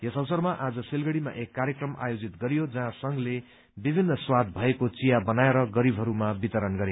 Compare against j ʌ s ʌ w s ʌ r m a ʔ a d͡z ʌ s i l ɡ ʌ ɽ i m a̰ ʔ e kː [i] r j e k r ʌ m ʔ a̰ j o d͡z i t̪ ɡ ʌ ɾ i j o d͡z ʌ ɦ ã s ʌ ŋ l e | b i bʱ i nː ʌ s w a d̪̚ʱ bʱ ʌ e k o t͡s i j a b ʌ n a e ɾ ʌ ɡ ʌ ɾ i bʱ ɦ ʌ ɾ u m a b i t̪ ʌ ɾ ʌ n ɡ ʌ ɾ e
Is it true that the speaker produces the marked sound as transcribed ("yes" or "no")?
no